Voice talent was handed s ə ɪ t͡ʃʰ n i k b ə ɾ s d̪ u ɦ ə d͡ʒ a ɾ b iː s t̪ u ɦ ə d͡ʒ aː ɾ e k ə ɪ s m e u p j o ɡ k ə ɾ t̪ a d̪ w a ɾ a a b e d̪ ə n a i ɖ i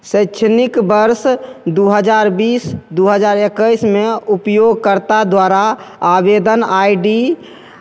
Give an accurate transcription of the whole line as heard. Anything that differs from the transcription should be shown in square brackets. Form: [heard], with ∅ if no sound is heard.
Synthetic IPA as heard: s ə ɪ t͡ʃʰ n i k b ə ɾ s d̪ u ɦ ə d͡ʒ a ɾ b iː s [d̪] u ɦ ə d͡ʒ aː ɾ e k ə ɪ s m e u p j o ɡ k ə ɾ t̪ a d̪ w a ɾ a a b e d̪ ə n a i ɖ i

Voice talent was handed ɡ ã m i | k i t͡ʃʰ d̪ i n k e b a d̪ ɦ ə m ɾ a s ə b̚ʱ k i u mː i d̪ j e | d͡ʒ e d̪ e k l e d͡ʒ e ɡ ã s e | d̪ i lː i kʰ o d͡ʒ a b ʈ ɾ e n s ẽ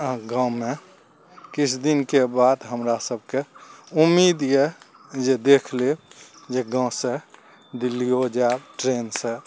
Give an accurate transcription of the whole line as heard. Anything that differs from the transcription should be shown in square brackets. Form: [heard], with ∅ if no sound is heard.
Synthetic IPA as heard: ɡ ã m [e] | k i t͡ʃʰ d̪ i n k e b a d̪ ɦ ə m ɾ a s ə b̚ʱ k [e] u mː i d̪ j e | d͡ʒ e d̪ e [kʰ] l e d͡ʒ e ɡ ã s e | d̪ i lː i [∅] o d͡ʒ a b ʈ ɾ e n s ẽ

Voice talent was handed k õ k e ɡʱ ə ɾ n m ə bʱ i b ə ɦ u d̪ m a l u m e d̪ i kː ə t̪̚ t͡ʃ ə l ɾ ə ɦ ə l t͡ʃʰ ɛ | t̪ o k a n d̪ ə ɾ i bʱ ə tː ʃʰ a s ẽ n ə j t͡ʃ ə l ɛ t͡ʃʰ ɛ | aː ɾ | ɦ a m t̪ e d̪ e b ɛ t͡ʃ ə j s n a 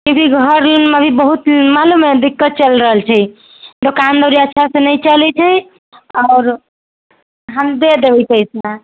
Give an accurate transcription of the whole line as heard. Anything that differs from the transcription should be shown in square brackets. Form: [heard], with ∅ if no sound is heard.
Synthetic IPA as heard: k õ k [i] ɡʱ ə ɾ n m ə bʱ i b ə ɦ u [t̪] m a l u m e d̪ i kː ə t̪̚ t͡ʃ ə l ɾ ə ɦ ə l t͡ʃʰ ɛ | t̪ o k a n d̪ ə ɾ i [∅] ə tː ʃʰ a s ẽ n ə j t͡ʃ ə l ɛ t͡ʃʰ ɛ | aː ɾ | ɦ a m [d̪] e d̪ e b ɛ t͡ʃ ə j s n a

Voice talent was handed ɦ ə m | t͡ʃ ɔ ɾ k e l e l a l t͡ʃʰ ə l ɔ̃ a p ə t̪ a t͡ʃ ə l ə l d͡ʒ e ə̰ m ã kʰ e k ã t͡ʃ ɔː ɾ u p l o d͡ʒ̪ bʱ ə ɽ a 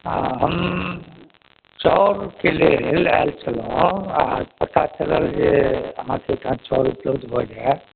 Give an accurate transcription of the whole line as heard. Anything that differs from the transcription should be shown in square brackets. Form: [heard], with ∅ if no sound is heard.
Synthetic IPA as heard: ɦ ə m | t͡ʃ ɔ ɾ k e l e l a l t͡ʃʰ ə l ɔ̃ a p ə t̪ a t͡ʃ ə l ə l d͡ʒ e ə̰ m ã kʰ e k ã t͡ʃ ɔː ɾ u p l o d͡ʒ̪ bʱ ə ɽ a

